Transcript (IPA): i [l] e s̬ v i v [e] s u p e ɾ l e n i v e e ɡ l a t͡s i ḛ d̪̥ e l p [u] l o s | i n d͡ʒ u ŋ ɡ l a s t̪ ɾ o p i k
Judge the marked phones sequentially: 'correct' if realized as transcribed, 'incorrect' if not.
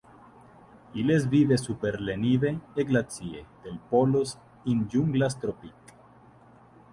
correct, correct, incorrect

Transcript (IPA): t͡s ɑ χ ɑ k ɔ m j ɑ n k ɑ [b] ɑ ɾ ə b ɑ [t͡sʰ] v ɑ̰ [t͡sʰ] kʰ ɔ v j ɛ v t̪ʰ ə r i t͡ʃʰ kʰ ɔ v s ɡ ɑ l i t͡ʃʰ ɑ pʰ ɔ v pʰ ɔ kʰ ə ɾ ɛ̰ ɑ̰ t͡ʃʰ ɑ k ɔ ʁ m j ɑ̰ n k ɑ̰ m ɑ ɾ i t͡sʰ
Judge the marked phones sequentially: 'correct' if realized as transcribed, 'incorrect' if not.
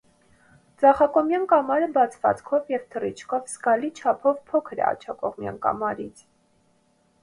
incorrect, correct, incorrect

